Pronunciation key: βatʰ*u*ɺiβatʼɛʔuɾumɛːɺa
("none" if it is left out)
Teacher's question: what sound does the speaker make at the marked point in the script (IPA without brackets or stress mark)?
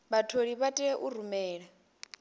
o